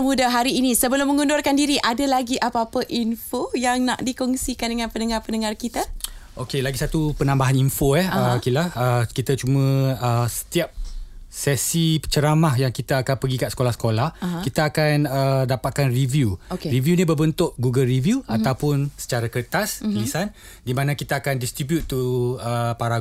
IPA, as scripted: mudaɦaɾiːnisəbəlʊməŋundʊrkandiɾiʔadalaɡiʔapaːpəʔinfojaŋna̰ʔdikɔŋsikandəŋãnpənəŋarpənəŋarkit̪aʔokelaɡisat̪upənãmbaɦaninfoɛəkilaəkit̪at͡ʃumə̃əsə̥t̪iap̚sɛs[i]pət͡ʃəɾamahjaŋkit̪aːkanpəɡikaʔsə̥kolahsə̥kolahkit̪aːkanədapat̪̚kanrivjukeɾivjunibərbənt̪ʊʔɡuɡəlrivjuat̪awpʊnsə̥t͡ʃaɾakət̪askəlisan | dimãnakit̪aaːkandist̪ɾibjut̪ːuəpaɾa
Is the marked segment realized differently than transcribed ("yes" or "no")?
no